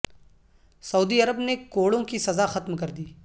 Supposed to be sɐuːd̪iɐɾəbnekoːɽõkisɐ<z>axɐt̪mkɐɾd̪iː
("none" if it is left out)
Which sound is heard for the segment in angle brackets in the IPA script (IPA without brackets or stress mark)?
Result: z